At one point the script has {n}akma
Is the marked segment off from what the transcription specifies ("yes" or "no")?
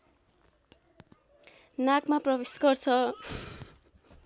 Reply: no